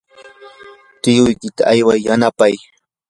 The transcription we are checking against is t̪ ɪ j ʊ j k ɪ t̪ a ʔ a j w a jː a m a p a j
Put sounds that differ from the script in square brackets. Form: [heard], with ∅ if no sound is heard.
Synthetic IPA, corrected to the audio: t̪ ɪ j ʊ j k ɪ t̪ a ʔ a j w a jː a [n] a p a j